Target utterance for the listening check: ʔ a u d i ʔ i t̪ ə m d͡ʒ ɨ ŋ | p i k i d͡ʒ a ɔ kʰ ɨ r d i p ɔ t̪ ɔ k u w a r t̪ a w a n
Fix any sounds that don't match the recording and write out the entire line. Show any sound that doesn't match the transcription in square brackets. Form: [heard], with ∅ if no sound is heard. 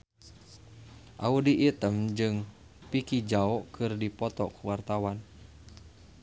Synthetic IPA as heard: ʔ a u d i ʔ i t̪ ə m d͡ʒ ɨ ŋ | p i k i d͡ʒ a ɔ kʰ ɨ r d i p ɔ t̪ ɔ k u w a r t̪ a w a n